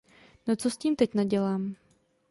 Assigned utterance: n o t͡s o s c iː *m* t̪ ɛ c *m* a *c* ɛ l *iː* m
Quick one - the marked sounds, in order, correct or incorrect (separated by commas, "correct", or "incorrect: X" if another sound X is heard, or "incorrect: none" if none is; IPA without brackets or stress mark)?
correct, incorrect: n, incorrect: ɟ, incorrect: aː